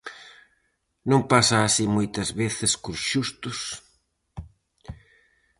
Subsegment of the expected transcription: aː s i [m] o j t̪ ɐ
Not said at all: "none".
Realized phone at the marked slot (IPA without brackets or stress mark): m